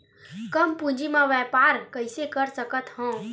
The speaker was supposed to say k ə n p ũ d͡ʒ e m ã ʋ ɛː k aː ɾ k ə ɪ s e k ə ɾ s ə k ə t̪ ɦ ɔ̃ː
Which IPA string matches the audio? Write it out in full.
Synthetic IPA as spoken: k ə m p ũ d͡ʒ i m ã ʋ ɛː p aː ɾ k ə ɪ s e k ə ɾ s ə k ə t̪ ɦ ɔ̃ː